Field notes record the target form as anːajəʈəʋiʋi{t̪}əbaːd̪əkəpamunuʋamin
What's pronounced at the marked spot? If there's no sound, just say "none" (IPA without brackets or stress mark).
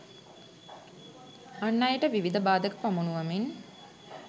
d̪